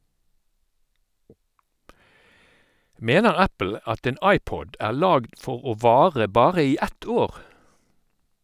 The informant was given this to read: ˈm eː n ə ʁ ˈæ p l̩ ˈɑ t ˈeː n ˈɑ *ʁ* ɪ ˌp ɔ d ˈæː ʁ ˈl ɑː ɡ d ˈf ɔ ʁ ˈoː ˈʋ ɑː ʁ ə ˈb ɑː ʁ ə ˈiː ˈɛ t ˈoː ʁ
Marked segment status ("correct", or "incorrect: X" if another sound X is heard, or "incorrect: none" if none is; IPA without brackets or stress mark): incorrect: none